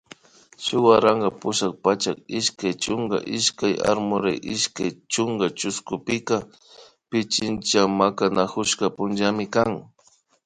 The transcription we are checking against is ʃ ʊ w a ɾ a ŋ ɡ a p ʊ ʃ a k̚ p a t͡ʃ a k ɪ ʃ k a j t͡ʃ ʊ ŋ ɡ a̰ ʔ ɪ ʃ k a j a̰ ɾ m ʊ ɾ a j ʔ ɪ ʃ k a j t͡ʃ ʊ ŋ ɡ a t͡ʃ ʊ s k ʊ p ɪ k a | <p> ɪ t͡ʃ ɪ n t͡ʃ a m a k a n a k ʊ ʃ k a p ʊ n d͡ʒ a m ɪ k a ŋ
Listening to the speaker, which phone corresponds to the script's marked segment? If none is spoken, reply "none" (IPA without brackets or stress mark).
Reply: p